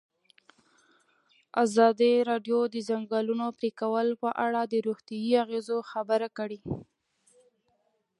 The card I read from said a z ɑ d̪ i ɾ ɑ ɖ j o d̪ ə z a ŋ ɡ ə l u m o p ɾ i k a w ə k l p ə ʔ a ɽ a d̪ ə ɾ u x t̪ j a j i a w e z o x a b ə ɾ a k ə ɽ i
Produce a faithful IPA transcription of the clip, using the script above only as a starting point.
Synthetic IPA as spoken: a z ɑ d̪ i ɾ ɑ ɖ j o d̪ ə z a ŋ ɡ ɑ l u n o p ɾ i k a w ə l p ə ʔ a ɽ a d̪ ə ɾ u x t̪ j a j i a ɣ e z o x a b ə ɾ a k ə ɽ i